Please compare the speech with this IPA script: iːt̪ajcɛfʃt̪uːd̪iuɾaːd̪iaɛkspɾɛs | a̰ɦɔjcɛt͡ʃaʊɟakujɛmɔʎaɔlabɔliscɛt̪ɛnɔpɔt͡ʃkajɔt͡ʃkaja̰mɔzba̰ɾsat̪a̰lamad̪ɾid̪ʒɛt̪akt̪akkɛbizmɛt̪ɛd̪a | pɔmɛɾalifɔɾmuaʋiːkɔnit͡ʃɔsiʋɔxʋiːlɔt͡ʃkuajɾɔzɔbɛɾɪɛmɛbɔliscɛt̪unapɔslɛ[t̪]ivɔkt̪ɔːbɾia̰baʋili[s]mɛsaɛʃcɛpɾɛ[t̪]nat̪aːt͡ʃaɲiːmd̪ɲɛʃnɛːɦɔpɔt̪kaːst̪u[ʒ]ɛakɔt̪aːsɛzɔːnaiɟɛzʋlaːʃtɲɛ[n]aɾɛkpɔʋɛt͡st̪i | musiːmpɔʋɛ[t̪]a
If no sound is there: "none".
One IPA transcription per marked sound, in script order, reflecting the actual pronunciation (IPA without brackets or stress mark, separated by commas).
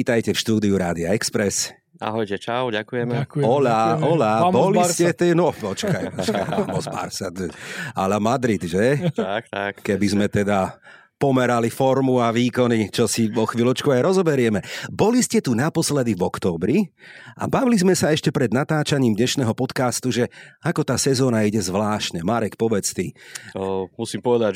d̪, z, d̪, ʒ, m, d̪